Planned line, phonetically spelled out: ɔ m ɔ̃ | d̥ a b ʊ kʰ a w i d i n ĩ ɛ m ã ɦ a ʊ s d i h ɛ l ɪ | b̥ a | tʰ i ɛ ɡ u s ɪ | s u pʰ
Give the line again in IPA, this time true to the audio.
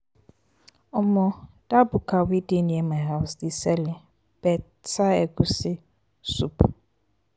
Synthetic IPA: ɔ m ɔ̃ | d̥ a b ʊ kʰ a w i d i n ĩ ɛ m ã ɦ a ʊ s d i s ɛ l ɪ | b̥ ɛ | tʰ a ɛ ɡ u s ɪ | s u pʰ